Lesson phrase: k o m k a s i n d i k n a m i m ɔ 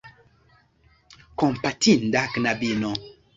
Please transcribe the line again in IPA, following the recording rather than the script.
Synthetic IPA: k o m p a t i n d a k n a b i n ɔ